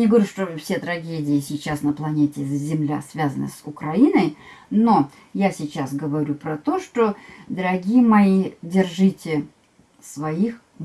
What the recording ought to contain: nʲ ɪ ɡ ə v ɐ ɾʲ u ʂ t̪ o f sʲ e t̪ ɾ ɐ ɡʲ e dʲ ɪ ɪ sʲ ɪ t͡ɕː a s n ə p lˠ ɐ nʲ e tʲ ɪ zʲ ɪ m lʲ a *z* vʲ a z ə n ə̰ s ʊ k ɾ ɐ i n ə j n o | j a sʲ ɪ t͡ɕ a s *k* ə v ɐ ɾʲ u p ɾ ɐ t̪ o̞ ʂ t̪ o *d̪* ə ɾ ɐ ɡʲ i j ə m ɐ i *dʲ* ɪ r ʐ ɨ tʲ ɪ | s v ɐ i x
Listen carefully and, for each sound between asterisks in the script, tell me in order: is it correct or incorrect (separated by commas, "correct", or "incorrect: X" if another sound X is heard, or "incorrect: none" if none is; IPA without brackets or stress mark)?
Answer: incorrect: s, incorrect: ɡ, correct, correct